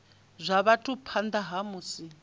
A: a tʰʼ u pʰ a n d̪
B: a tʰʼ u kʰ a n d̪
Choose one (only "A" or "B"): A